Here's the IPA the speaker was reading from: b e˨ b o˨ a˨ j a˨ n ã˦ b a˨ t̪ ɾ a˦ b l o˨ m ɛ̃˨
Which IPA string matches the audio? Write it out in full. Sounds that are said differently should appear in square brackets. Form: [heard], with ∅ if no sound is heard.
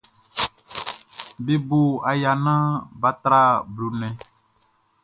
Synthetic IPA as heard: b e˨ b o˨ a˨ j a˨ n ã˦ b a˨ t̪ ɾ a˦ b l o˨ [n] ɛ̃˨